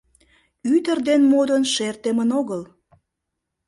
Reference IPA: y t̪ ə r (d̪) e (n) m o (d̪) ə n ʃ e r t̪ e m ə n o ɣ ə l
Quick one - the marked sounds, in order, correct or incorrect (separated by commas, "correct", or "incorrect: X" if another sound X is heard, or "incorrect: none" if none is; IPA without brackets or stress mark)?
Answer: correct, correct, correct